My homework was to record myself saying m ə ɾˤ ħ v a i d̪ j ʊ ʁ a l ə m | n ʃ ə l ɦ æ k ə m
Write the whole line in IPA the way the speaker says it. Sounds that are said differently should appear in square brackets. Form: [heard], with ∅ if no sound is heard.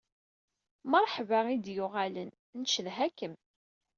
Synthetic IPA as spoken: m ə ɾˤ ħ v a i d̪ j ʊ ʁ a l ə [n] | n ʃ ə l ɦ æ k ə m